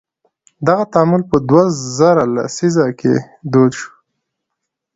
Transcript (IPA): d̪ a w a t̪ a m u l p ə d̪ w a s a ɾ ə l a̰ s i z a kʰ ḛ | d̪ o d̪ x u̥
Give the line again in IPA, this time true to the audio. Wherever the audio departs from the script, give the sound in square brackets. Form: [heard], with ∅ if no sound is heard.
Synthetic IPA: d̪ a [ɣ] a t̪ a m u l p ə d̪ w a [z] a ɾ [a] l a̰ s i z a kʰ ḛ | d̪ o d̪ [ʃ] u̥